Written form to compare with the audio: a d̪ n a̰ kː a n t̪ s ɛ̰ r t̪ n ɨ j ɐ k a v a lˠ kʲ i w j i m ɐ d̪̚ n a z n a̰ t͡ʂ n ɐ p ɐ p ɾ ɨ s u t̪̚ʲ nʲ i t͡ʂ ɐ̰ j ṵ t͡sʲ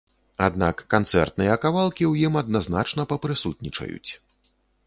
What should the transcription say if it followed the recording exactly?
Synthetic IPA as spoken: a d̪ n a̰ kː a n t̪ s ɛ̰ r t̪ n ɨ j ɐ k a v a lˠ kʲ i w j i m ɐ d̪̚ n a z n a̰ t͡ʂ n ɐ p ɐ p ɾ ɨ s u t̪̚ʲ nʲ i t͡ʂ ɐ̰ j ṵ t͡sʲ